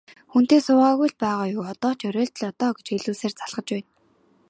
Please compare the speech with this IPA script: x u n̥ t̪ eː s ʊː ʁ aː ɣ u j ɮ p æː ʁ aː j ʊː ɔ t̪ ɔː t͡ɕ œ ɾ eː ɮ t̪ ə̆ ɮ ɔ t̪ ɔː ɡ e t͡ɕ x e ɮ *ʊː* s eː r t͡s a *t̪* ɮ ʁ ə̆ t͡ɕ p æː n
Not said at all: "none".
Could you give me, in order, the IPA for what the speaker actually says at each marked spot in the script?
uː, none

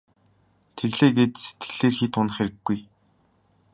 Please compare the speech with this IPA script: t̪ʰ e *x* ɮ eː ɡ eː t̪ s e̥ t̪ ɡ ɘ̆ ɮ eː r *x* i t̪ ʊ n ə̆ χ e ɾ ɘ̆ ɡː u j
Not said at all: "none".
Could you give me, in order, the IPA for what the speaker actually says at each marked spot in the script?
ɣ, x

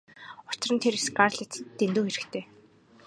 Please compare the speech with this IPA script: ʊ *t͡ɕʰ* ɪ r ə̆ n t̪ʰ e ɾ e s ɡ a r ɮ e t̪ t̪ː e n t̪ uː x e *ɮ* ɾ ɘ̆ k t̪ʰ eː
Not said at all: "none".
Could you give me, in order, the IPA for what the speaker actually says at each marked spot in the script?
t͡ɕ, none

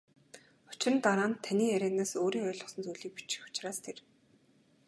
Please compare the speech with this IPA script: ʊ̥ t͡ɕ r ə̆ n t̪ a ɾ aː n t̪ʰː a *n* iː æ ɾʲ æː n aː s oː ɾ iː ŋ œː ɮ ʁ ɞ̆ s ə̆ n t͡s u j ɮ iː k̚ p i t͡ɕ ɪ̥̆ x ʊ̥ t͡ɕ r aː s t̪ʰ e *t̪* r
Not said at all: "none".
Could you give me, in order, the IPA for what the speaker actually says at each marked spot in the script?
n, none

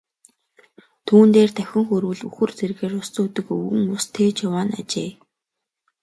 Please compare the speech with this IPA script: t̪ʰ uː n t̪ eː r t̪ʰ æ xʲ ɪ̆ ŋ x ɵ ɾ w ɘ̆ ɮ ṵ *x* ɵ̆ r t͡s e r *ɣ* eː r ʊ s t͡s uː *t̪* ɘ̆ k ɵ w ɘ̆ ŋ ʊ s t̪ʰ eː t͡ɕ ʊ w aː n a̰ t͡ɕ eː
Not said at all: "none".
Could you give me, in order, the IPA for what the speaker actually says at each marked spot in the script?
x, ɣ, t̪

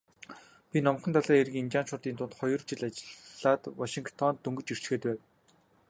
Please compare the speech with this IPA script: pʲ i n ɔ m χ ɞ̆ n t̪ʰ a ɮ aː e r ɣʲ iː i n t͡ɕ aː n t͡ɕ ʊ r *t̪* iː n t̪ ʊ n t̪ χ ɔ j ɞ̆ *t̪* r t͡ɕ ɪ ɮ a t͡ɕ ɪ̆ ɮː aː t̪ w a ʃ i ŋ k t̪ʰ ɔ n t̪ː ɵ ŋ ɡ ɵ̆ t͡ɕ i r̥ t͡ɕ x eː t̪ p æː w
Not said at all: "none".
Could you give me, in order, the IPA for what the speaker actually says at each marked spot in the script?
t̪, none

